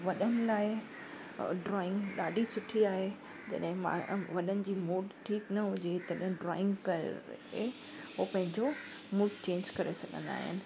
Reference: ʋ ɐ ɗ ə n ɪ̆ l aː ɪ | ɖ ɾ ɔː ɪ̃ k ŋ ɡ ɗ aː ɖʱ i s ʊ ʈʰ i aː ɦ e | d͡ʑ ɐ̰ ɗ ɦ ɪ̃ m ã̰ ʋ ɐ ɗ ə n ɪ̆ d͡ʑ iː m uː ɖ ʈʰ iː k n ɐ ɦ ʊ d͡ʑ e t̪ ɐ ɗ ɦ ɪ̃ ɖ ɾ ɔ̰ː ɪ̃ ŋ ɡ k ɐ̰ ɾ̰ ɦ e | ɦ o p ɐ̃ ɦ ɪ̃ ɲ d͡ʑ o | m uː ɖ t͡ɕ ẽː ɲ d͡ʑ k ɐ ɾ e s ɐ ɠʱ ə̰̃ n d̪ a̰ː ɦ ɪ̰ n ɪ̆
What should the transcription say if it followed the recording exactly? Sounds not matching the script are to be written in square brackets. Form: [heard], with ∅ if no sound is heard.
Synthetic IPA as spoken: ʋ ɐ ɗ ə n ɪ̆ l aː ɪ | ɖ ɾ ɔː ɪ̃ [∅] ŋ ɡ ɗ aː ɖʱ i s ʊ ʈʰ i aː ɦ e | d͡ʑ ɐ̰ ɗ ɦ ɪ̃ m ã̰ ʋ ɐ ɗ ə n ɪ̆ d͡ʑ iː m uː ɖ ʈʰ iː k n ɐ ɦ ʊ d͡ʑ e t̪ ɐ ɗ ɦ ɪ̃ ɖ ɾ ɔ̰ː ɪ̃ ŋ ɡ k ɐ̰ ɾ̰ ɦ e | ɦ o p ɐ̃ ɦ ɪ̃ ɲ d͡ʑ o | m uː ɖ t͡ɕ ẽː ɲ d͡ʑ k ɐ ɾ e s ɐ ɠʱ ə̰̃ n d̪ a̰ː ɦ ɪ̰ n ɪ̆